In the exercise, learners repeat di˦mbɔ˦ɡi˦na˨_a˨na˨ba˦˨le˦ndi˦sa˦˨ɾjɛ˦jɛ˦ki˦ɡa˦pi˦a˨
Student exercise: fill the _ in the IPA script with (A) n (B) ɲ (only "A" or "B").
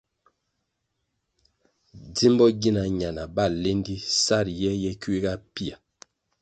B